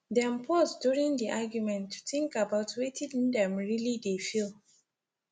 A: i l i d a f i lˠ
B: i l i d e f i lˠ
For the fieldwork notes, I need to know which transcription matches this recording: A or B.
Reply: B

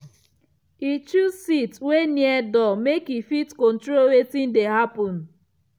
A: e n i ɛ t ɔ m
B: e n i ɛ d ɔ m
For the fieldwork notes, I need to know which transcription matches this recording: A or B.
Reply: B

